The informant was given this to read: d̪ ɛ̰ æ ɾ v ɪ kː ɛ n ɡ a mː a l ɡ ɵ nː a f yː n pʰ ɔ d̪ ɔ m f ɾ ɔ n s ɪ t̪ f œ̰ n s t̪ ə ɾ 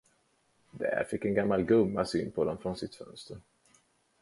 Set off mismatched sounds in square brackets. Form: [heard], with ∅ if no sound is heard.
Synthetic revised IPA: d̪ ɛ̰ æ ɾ [f] ɪ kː ɛ n ɡ a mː a l ɡ ɵ [mː] a [s] yː n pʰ ɔ d̪ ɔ m f ɾ ɔ n s ɪ t̪ f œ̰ n s t̪ ə ɾ